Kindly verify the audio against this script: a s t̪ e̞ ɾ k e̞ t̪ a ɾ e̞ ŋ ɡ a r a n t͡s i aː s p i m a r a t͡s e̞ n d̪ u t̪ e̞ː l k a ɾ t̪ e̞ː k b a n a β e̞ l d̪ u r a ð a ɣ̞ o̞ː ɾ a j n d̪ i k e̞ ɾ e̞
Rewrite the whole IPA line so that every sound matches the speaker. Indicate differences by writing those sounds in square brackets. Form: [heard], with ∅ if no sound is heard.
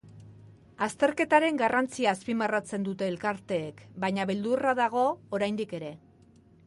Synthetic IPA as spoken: a s t̪ e̞ ɾ k e̞ t̪ a ɾ e̞ ŋ ɡ a r a n t͡s i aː s p i m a r a t͡s e̞ n d̪ u t̪ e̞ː l k a ɾ t̪ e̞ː k b a [ɲ] a β e̞ l d̪ u r a ð a ɣ̞ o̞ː ɾ a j n d̪ i k e̞ ɾ e̞